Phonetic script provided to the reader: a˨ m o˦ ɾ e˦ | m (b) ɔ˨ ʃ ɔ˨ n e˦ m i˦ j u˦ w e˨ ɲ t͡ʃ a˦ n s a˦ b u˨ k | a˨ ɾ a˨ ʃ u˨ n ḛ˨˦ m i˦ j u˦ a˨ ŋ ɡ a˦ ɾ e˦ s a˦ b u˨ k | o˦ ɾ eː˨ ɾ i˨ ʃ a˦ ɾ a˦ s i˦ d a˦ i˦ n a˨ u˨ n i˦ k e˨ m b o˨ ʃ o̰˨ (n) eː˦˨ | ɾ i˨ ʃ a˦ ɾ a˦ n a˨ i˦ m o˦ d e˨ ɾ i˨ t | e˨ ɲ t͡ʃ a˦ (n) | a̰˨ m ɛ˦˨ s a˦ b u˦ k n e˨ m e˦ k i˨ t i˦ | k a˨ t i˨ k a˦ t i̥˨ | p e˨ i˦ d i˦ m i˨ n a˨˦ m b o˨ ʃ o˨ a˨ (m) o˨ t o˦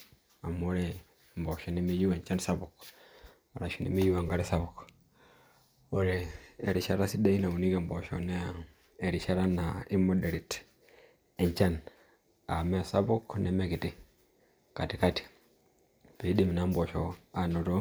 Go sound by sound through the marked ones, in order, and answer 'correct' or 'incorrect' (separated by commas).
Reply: correct, correct, correct, incorrect